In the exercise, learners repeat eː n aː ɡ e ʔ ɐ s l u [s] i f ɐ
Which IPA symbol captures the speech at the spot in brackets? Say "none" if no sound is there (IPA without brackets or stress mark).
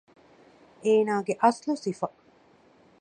s